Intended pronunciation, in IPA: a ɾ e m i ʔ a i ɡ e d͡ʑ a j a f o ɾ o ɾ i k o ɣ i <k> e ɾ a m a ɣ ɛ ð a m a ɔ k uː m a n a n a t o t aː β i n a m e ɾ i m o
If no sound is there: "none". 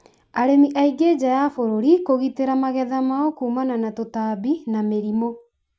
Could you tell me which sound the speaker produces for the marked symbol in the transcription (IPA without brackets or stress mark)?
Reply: t